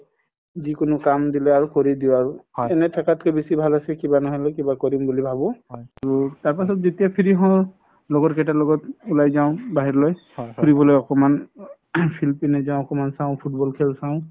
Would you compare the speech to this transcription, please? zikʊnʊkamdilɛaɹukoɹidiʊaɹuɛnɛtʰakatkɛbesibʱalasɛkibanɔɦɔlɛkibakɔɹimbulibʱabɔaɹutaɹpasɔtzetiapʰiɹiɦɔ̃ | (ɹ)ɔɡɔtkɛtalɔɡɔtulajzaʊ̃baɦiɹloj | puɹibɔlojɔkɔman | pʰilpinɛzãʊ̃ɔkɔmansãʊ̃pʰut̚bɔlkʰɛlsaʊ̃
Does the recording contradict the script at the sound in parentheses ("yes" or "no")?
yes